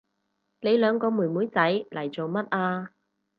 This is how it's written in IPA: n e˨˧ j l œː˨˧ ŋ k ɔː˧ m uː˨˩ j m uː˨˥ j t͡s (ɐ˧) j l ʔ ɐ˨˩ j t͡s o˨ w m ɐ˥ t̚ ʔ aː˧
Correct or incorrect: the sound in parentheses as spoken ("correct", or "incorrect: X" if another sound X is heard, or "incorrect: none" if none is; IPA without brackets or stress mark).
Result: incorrect: ɐ˨˥